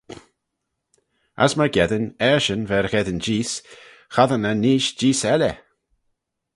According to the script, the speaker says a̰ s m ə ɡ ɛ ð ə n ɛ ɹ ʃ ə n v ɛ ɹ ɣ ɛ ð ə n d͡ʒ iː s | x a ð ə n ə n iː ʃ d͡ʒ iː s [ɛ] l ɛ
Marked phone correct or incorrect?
correct